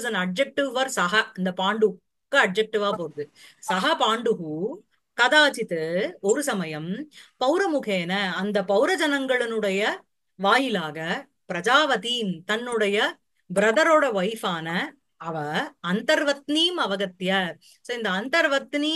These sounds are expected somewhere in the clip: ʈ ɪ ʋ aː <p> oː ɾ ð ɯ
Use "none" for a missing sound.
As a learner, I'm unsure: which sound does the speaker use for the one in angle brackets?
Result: p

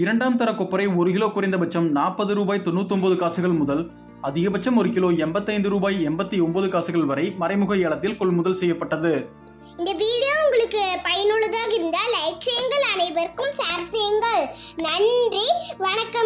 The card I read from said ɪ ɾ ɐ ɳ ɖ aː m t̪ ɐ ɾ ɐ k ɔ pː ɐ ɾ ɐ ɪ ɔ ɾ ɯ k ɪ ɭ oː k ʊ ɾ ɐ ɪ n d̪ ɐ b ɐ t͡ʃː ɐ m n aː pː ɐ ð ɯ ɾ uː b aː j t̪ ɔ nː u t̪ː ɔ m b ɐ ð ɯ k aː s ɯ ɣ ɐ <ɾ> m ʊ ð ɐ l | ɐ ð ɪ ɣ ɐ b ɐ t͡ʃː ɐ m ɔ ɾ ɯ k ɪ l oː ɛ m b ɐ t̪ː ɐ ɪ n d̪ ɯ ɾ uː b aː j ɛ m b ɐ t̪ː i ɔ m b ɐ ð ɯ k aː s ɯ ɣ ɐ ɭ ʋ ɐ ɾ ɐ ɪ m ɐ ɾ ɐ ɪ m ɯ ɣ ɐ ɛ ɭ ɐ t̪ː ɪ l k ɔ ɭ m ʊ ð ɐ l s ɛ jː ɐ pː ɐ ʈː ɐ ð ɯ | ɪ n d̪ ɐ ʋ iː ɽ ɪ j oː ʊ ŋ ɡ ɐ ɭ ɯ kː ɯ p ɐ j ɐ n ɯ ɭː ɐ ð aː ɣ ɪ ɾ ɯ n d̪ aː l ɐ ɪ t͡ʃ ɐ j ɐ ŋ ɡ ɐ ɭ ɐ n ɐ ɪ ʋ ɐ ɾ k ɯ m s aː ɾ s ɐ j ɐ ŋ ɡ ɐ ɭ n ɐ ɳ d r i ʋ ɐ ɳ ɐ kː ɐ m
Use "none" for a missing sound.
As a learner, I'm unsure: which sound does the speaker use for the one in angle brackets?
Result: ɭ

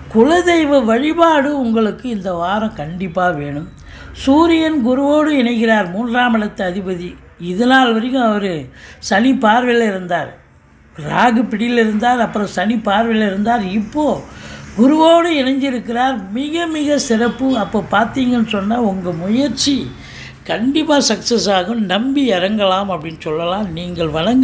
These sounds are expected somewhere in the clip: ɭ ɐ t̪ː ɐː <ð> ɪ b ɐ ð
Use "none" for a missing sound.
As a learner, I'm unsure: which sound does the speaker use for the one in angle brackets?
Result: ð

